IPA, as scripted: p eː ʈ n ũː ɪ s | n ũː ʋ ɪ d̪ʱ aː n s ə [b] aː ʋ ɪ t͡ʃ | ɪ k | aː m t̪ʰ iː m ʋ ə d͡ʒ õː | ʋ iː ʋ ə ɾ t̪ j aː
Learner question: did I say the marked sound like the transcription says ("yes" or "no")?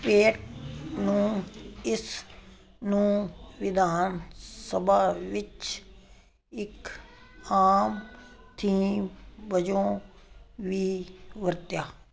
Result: yes